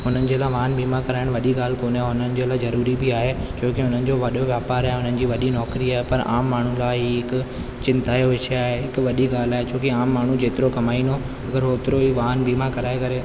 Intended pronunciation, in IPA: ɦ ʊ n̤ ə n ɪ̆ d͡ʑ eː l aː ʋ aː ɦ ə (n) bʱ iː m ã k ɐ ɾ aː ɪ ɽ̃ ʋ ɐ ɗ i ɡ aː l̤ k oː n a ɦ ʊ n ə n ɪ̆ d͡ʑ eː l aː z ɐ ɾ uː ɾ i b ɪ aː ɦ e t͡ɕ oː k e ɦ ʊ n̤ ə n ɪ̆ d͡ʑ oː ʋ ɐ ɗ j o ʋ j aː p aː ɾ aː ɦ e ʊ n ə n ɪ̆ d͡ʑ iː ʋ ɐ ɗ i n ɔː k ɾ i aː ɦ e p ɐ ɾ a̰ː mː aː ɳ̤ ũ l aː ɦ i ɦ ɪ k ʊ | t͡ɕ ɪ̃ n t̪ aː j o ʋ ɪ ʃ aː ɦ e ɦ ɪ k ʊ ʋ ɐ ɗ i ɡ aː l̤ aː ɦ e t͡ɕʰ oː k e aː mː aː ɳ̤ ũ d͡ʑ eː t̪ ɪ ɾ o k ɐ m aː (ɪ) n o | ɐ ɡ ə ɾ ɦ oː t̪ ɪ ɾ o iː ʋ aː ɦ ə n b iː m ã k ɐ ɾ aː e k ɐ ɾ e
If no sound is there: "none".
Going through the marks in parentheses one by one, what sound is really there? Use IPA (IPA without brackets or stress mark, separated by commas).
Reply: n, i